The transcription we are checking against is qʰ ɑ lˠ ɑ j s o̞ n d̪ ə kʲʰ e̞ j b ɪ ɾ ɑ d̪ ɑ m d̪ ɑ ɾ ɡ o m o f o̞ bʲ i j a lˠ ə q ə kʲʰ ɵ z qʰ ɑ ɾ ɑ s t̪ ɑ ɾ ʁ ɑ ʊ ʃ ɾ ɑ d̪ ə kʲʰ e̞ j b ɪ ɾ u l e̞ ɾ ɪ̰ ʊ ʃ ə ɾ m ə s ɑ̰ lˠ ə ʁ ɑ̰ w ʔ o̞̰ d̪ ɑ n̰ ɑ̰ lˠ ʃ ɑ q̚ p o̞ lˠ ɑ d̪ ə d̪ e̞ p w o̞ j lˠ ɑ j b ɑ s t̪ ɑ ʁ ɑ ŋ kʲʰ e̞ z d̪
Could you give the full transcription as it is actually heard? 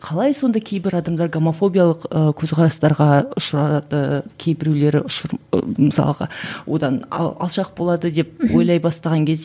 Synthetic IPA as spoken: qʰ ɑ lˠ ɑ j s o̞ n d̪ ɑ kʲʰ e̞ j b ɪ ɾ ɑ d̪ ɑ m d̪ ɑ ɾ ɡ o m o f o̞ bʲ i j a lˠ ə q ə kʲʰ ɵ z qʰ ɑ ɾ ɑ s t̪ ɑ ɾ ʁ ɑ ʊ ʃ ɾ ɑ d̪ ə kʲʰ e̞ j b ɪ ɾ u l e̞ ɾ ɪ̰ ʊ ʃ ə ɾ m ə s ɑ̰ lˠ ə ʁ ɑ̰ w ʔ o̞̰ d̪ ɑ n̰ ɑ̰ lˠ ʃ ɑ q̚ b o̞ lˠ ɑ d̪ ə d̪ e̞ p w o̞ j lˠ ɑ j b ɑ s t̪ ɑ ʁ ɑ ŋ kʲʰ e̞ z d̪